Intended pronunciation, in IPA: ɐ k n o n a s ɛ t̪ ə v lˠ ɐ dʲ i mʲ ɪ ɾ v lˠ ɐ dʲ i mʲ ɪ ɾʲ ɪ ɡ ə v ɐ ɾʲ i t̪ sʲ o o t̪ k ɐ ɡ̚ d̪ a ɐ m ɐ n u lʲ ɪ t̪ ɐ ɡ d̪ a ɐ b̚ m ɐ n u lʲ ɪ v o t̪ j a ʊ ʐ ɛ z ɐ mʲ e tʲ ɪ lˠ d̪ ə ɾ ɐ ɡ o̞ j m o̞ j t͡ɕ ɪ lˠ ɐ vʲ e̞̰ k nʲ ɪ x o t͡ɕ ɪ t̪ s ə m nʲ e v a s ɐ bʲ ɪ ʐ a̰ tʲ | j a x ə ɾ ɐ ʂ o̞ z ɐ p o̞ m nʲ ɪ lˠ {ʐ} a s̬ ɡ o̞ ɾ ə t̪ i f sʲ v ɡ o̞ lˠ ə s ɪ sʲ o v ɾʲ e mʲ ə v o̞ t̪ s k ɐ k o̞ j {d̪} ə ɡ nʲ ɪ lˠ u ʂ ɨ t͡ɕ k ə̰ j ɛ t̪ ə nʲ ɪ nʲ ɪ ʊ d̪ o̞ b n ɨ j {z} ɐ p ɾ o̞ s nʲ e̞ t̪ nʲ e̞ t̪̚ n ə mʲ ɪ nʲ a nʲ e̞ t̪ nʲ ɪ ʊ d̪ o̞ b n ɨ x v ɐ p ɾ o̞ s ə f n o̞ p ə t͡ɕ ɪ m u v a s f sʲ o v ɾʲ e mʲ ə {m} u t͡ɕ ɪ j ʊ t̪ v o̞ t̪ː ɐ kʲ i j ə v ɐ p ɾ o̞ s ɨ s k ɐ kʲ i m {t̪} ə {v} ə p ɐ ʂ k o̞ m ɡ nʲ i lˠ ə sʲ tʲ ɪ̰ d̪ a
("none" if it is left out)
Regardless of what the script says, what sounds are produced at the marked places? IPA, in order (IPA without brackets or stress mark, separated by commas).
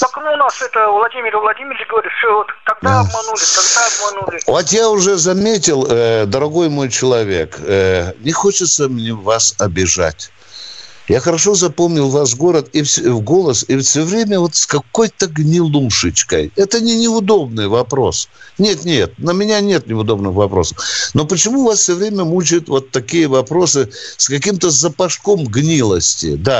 v, t̪, v, m, t̪, z